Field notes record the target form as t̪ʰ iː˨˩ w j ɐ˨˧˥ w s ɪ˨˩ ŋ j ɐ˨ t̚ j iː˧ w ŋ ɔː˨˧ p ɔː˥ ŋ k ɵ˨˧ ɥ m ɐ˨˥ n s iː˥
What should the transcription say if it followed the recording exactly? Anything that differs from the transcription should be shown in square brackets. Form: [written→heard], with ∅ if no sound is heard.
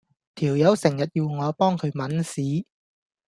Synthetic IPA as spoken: t̪ʰ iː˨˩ w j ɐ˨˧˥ w s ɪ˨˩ ŋ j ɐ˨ t̚ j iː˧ w ŋ ɔː˨˧ p ɔː˥ ŋ [k→kʰ] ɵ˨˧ ɥ m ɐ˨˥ n s [iː˥→iː˨˥]